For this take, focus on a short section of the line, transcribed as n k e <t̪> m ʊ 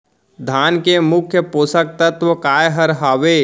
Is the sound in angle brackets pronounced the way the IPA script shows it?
no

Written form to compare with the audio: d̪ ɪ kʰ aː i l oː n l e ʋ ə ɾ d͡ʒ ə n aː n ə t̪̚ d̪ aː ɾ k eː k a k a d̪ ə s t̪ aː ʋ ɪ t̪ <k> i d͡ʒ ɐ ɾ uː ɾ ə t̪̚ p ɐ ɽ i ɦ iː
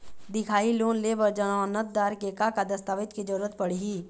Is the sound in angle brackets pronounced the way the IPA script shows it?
yes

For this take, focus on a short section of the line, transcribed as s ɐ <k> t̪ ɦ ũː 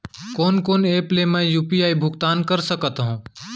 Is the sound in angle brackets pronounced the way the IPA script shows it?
yes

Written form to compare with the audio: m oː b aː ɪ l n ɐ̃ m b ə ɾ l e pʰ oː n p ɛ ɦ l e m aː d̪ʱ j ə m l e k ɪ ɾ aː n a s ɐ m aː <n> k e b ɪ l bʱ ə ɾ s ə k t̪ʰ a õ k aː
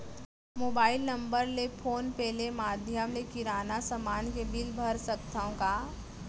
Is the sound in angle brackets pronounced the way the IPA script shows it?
yes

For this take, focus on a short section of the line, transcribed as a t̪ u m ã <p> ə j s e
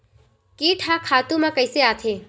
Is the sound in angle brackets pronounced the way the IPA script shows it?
no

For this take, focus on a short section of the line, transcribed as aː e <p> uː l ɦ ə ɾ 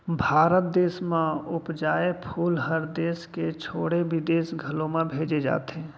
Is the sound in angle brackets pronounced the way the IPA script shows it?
no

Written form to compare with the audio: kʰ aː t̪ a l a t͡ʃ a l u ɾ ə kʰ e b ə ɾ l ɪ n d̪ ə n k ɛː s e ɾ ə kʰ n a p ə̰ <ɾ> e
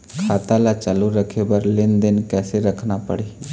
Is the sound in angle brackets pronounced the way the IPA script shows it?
no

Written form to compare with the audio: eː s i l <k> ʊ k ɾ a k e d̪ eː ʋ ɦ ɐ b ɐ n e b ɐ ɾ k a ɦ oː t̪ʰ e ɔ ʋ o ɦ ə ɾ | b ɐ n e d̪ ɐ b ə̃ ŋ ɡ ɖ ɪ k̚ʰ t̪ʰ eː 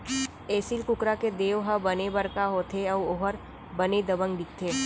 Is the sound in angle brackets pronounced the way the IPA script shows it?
yes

